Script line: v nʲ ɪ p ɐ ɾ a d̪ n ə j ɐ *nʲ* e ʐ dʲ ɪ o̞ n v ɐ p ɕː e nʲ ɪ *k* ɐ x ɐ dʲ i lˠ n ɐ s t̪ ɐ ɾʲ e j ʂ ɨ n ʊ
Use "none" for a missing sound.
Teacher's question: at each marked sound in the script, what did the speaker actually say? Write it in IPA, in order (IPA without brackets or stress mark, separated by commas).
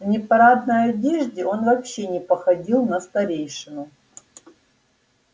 dʲ, p